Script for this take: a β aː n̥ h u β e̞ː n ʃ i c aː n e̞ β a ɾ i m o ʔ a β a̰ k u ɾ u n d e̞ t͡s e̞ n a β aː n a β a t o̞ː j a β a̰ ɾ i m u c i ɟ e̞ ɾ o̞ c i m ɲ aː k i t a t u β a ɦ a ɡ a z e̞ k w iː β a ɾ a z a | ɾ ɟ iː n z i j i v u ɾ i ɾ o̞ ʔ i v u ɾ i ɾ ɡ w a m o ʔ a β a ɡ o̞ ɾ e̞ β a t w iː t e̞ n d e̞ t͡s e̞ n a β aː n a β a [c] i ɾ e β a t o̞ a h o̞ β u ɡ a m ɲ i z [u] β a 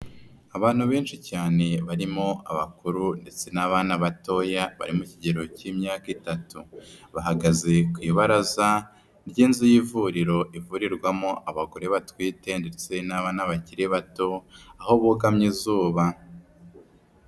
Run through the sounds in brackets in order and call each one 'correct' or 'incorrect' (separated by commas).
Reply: correct, incorrect